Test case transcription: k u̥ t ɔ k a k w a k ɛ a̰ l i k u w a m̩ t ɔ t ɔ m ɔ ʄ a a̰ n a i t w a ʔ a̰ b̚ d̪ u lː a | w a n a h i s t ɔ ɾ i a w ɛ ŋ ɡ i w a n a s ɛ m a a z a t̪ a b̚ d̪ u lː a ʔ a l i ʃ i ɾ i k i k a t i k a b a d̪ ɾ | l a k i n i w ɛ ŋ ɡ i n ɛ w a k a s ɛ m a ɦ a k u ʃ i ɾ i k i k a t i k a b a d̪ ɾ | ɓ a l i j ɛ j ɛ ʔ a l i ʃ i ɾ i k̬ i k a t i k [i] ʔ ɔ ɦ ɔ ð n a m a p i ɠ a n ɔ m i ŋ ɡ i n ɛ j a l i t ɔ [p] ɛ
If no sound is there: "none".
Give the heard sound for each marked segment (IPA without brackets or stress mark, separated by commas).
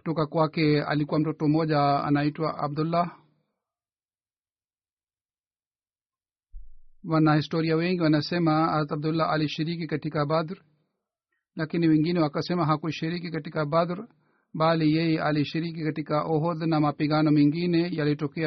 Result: a, k